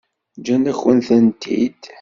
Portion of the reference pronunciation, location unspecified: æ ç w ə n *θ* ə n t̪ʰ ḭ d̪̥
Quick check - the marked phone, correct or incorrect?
correct